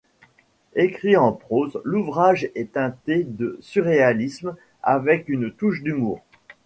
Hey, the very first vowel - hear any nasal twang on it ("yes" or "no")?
no